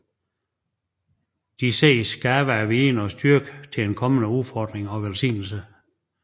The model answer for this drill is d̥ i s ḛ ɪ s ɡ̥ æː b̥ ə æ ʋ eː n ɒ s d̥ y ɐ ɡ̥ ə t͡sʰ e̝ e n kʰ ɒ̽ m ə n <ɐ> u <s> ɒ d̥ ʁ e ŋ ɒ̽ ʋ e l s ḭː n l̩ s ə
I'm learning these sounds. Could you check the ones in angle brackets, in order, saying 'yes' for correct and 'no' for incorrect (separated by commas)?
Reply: no, no